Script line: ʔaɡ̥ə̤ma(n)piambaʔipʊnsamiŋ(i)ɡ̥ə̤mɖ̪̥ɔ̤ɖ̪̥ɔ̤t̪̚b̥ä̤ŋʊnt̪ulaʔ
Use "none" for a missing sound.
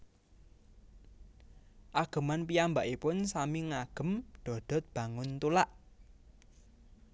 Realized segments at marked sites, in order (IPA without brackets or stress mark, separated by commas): n, a